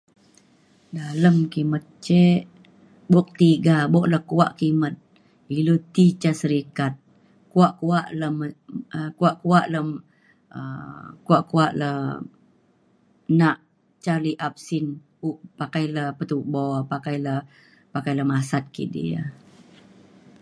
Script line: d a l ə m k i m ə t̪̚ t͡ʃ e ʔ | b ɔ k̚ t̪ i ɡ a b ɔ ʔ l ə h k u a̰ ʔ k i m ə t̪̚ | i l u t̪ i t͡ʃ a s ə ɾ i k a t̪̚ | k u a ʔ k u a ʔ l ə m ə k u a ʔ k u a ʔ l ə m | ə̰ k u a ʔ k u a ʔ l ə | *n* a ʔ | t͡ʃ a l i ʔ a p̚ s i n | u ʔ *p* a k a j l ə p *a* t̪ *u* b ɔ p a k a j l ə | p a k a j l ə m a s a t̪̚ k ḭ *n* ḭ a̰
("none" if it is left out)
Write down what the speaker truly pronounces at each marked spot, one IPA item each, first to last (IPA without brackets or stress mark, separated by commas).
n, p, ə, u, d